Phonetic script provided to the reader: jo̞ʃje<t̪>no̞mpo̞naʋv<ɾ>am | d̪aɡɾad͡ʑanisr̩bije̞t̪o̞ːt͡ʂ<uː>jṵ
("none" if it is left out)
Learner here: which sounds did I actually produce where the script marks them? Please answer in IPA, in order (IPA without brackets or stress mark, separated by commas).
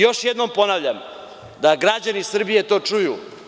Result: d̪, ʎ, u